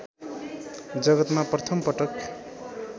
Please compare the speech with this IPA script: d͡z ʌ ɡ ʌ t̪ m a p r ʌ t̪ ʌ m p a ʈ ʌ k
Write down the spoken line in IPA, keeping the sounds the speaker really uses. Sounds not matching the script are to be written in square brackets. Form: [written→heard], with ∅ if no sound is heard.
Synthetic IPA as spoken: d͡z ʌ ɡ ʌ t̪ m a p r ʌ [t̪→t̪ʰ] ʌ m p [a→ʌ] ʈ ʌ k